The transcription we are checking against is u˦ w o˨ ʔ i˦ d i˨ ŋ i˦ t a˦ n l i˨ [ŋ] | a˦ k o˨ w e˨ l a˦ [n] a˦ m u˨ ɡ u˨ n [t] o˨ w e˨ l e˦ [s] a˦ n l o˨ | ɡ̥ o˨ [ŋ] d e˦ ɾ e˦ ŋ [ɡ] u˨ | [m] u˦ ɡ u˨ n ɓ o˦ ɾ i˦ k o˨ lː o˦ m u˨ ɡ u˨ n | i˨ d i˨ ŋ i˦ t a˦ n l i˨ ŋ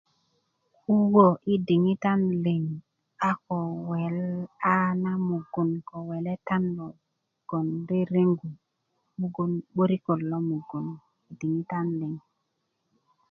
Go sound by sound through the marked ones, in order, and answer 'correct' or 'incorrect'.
correct, correct, incorrect: k, incorrect: t, incorrect: n, correct, correct

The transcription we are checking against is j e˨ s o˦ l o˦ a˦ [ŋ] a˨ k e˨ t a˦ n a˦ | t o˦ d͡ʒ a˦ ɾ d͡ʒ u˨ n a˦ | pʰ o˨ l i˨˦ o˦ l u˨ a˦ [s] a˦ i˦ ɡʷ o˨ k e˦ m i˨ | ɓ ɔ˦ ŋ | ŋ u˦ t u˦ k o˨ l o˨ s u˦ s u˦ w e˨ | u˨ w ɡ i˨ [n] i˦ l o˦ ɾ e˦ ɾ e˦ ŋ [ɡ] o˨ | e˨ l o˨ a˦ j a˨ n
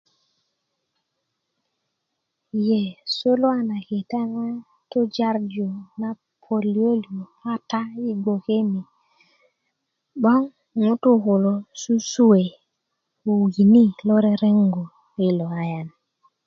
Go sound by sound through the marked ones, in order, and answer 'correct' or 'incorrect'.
incorrect: n, incorrect: t, correct, correct

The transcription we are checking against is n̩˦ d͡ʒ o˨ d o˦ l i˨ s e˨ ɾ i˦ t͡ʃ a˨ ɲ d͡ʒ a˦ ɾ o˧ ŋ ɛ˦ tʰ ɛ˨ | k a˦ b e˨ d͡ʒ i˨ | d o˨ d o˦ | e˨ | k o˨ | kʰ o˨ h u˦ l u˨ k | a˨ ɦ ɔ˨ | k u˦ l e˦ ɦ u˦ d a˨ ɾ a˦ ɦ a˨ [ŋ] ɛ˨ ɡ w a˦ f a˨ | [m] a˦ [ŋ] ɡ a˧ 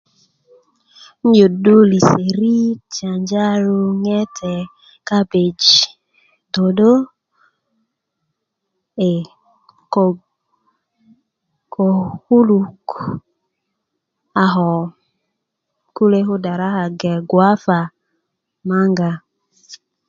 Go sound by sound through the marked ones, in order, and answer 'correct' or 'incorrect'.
incorrect: ɡ, correct, correct

